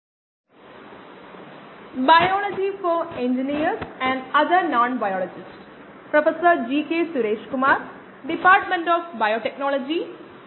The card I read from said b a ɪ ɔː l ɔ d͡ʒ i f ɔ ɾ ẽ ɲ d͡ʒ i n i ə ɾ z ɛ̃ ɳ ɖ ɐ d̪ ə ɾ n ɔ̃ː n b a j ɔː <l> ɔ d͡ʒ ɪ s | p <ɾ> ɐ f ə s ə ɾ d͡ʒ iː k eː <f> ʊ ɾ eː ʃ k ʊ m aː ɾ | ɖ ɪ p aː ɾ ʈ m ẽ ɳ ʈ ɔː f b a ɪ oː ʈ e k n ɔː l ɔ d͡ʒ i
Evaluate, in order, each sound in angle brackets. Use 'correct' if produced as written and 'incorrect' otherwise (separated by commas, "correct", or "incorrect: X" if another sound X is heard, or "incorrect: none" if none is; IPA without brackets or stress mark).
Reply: correct, correct, incorrect: s